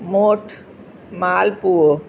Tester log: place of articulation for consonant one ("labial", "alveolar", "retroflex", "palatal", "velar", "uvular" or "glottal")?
labial